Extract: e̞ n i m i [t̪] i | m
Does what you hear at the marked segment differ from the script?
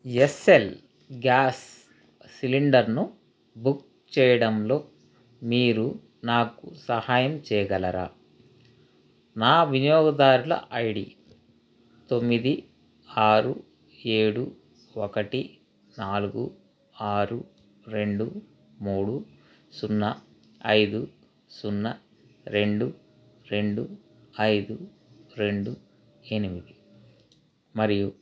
yes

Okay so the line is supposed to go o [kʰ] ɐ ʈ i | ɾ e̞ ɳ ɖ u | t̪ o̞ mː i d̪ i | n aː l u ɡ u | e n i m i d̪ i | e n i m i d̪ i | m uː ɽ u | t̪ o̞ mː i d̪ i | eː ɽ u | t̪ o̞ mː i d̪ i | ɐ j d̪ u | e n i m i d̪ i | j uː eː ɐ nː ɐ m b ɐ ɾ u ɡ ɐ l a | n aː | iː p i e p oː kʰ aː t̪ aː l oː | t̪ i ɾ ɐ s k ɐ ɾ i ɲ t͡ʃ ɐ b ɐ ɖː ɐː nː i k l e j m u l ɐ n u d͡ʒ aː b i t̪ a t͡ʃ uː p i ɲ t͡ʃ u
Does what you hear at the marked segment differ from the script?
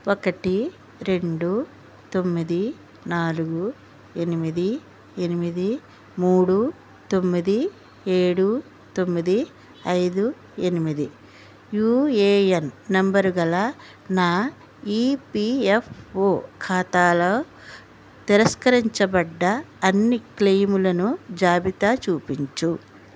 yes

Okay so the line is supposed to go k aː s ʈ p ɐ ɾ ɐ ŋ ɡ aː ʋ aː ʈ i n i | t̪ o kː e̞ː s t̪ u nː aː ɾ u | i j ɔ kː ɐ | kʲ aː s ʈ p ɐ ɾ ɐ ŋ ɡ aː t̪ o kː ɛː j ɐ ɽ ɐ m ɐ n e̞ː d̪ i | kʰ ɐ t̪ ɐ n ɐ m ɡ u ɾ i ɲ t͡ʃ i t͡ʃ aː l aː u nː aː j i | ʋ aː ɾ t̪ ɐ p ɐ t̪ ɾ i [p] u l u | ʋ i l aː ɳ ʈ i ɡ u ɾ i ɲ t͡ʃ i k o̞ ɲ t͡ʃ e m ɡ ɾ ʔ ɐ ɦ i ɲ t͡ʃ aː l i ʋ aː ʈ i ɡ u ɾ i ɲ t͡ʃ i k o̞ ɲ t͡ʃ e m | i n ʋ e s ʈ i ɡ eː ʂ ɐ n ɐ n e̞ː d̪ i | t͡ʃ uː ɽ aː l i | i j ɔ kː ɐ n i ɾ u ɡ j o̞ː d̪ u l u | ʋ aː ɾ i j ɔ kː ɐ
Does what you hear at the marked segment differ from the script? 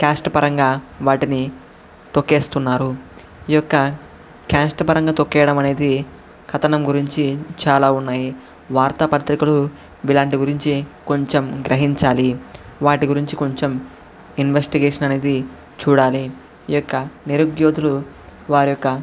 yes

